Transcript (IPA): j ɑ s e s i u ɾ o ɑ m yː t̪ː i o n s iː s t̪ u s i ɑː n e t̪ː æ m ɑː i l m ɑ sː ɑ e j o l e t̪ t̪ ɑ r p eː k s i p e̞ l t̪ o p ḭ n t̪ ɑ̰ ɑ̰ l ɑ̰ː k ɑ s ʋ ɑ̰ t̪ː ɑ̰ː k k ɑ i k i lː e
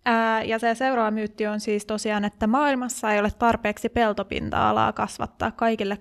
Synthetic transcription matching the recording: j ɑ s e s e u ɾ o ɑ m yː t̪ː i o n s iː s t̪ o s i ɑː n e t̪ː æ m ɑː i l m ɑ sː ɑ e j o l e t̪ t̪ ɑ r p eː k s i p e̞ l t̪ o p ḭ n t̪ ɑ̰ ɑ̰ l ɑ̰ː k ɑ s ʋ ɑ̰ t̪ː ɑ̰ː k k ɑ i k i lː e